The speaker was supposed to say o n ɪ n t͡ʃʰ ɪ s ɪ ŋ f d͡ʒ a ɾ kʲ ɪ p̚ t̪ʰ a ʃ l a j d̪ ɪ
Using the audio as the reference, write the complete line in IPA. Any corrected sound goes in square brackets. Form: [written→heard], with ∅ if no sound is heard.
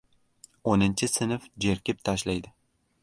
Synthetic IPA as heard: o n ɪ n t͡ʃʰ ɪ s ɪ [ŋ→n] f d͡ʒ [a→e] ɾ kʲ ɪ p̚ t̪ʰ a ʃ l a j d̪ ɪ